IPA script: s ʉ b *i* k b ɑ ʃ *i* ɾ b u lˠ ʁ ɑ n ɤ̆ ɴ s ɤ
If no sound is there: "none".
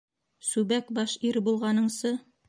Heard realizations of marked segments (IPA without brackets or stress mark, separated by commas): æ, i